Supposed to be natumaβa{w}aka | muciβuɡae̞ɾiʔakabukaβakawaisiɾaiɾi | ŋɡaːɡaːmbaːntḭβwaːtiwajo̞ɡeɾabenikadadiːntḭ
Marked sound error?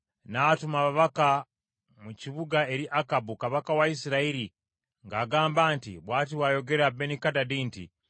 yes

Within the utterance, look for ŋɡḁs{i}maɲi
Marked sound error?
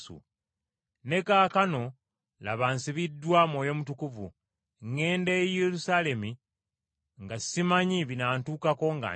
no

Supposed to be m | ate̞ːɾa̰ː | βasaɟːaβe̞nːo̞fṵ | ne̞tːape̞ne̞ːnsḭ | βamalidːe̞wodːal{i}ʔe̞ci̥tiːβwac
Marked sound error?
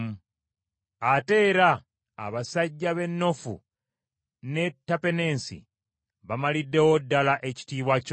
yes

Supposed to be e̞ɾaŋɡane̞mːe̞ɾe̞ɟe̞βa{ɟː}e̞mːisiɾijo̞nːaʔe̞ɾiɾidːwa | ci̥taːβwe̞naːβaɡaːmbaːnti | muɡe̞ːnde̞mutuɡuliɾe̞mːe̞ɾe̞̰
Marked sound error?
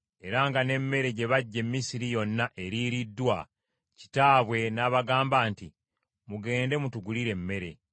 no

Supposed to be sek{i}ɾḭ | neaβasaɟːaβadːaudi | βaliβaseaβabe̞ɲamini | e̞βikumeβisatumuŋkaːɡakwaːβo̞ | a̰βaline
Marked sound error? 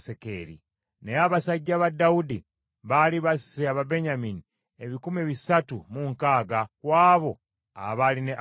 yes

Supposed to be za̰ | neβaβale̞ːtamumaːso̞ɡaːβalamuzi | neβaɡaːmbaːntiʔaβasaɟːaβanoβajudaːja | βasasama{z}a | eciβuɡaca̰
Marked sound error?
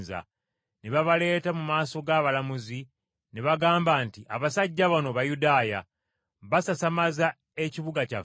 no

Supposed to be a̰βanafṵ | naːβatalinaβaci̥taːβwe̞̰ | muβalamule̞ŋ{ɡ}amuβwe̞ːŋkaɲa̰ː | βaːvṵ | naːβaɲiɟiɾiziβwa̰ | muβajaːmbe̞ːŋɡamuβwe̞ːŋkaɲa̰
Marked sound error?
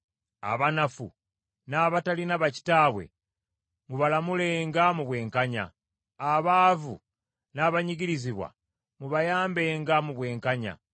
no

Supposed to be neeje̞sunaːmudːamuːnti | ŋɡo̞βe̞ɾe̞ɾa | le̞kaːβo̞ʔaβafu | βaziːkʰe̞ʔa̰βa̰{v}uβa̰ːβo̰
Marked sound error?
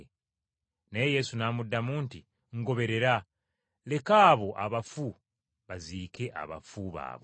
yes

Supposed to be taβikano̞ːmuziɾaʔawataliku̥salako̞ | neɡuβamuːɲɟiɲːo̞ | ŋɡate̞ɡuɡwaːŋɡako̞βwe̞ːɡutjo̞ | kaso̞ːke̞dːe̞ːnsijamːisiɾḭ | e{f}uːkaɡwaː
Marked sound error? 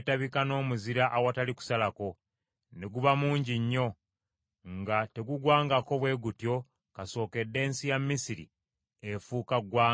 no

